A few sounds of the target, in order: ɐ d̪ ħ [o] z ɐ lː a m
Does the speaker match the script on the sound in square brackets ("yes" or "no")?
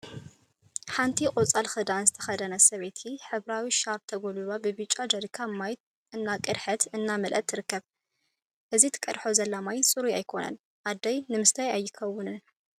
yes